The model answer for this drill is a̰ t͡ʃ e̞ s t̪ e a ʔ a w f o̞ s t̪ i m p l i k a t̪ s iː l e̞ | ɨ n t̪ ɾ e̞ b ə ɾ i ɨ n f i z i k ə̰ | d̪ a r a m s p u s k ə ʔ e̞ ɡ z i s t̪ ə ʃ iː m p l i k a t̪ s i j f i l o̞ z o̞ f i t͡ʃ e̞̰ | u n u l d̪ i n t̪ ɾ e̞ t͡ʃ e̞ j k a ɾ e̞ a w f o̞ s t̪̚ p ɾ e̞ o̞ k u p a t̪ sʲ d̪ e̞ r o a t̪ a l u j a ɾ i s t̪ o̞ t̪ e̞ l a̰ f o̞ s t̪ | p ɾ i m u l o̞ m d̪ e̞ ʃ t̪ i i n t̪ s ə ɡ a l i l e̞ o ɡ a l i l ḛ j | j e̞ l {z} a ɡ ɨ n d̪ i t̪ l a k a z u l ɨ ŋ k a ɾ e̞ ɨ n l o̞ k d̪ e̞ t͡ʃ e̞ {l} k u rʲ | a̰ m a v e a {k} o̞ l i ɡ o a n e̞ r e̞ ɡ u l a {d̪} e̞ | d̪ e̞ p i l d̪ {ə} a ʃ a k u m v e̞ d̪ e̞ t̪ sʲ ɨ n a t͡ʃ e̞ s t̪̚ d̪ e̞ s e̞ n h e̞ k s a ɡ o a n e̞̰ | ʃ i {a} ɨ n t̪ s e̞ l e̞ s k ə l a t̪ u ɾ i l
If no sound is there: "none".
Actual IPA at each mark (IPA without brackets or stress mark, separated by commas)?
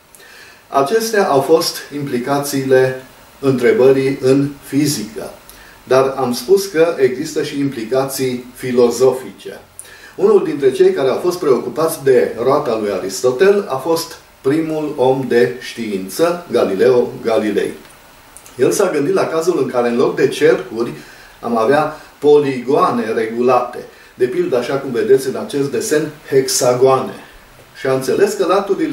s, r, p, t̪, ə, a